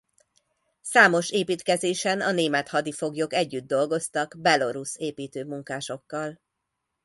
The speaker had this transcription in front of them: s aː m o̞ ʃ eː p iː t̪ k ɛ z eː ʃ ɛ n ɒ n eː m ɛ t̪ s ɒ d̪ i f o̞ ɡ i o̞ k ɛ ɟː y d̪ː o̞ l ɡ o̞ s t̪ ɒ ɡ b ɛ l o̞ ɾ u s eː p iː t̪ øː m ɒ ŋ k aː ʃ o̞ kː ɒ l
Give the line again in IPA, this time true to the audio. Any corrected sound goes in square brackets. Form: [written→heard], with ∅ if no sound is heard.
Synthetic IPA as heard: s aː m o̞ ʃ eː p iː t̪ k ɛ z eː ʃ ɛ n ɒ n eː m ɛ t̪ [s→h] ɒ d̪ i f o̞ ɡ [i→j] o̞ k ɛ ɟː y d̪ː o̞ l ɡ o̞ s t̪ ɒ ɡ b ɛ l o̞ ɾ u s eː p iː t̪ øː m [ɒ→u] ŋ k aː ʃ o̞ kː ɒ l